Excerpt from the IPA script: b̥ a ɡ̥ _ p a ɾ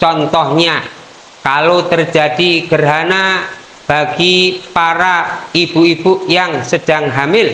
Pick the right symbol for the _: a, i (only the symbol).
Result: i